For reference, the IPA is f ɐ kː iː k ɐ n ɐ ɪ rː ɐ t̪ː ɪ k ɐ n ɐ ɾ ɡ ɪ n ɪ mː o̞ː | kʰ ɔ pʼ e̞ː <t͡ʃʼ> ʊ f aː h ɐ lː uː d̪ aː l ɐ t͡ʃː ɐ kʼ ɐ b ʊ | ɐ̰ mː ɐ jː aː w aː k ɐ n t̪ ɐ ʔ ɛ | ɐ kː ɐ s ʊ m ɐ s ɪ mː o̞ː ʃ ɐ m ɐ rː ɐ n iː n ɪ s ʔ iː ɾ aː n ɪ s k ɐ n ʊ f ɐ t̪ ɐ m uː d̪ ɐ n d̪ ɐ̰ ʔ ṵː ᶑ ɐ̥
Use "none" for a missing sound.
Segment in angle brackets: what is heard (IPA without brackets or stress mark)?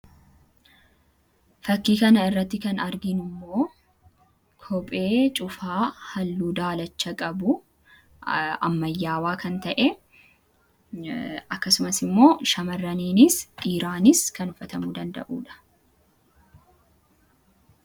t͡ʃʼ